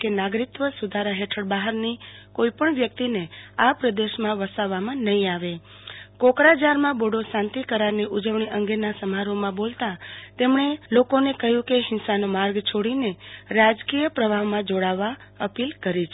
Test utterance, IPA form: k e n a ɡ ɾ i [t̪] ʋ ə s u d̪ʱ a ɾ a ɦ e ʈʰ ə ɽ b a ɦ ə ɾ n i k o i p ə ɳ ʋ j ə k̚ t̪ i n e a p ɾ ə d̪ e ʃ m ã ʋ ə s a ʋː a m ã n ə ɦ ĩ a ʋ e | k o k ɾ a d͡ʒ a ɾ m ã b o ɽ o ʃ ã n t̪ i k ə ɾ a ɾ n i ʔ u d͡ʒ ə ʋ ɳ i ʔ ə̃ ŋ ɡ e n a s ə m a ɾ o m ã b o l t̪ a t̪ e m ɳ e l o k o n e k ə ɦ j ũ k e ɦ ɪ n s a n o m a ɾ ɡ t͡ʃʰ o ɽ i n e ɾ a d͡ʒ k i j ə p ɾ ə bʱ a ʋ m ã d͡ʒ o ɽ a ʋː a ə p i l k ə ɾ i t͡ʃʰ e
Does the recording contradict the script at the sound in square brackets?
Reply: no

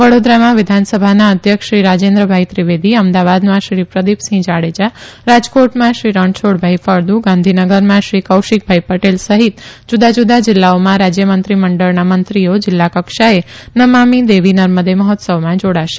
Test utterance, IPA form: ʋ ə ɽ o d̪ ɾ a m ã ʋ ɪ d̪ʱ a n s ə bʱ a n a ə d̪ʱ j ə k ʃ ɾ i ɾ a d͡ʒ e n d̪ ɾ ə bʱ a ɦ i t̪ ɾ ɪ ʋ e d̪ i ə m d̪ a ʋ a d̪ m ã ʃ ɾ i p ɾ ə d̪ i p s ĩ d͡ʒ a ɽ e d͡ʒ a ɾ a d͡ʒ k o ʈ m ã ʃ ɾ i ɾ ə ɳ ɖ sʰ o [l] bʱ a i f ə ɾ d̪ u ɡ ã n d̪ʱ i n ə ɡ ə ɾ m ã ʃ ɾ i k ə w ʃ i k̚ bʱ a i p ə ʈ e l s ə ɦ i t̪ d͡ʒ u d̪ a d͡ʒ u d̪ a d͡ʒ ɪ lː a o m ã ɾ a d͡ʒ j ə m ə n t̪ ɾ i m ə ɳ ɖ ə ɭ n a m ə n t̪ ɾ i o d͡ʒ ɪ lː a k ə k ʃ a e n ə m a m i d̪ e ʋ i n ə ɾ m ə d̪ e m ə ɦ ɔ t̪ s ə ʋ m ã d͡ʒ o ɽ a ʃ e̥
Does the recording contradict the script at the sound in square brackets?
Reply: yes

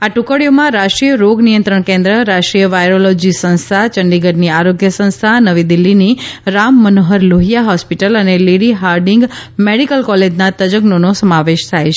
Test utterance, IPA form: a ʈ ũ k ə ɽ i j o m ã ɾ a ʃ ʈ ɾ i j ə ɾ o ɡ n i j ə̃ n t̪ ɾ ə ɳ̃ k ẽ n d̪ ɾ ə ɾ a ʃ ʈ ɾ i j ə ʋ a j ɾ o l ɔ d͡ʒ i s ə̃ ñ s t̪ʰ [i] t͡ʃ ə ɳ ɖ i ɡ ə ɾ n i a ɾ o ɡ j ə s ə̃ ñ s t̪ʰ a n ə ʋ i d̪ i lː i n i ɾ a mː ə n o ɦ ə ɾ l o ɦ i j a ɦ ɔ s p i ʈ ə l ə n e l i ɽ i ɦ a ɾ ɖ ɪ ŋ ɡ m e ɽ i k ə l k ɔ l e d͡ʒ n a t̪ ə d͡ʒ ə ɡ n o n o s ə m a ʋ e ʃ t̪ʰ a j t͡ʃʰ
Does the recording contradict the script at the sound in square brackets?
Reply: yes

